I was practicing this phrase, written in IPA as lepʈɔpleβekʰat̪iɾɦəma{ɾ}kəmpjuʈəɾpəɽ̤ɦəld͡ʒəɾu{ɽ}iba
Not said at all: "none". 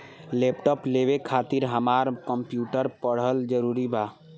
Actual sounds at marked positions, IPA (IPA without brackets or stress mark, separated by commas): ɾ, ɾ